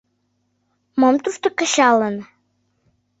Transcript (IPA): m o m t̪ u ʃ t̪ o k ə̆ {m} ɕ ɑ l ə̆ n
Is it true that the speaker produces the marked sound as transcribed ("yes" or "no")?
no